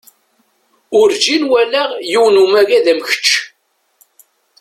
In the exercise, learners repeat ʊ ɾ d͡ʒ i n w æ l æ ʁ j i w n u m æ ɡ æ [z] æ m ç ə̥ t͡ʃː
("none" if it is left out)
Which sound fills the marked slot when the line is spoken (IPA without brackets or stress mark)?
ð